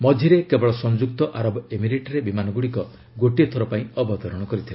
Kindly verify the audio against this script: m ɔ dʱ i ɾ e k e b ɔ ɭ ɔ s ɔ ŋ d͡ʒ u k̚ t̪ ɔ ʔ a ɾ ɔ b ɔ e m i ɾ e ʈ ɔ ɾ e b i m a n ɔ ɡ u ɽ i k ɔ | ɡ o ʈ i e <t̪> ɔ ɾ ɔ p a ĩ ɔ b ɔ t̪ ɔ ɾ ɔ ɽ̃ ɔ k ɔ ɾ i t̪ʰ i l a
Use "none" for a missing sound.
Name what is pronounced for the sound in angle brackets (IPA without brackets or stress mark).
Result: t̪ʰ